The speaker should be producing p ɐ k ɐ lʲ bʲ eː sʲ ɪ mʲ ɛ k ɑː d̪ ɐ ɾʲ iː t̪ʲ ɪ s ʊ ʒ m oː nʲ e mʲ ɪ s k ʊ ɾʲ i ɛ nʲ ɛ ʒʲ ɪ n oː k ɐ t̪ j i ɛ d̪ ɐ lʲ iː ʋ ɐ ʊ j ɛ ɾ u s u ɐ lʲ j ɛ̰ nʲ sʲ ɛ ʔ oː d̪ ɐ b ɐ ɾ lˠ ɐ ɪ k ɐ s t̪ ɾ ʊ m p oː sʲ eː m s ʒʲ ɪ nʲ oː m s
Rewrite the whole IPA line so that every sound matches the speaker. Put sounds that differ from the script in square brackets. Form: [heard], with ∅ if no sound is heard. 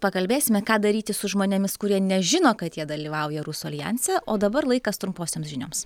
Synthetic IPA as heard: p ɐ k ɐ lʲ bʲ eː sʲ ɪ mʲ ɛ k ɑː d̪ ɐ ɾʲ iː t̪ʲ ɪ s ʊ ʒ m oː nʲ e mʲ ɪ s k ʊ ɾʲ i ɛ nʲ ɛ ʒʲ ɪ n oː k ɐ t̪ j i ɛ d̪ ɐ lʲ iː ʋ ɐ ʊ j ɛ ɾ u s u ɐ lʲ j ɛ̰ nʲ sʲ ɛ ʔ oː d̪ ɐ b ɐ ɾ lˠ ɐ ɪ k ɐ s t̪ ɾ ʊ m p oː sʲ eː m s ʒʲ ɪ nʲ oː m s